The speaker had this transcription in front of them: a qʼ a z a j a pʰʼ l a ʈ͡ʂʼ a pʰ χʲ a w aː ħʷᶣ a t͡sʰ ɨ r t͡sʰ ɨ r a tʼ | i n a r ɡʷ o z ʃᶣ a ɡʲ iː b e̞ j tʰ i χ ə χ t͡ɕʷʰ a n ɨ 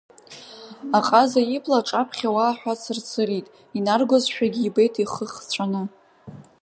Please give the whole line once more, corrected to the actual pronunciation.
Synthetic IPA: a qʼ a z a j i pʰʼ l a ʈ͡ʂʼ a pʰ χʲ a w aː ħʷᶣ a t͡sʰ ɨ r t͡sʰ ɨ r i tʼ | i n a r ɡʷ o z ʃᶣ a ɡʲ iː b e̞ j tʰ i χ ə χ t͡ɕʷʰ a n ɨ